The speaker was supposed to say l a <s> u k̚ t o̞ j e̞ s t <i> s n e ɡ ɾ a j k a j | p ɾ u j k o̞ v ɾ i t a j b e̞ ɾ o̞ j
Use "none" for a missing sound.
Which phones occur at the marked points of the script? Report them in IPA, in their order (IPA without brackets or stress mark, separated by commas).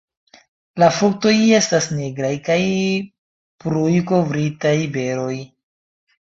f, a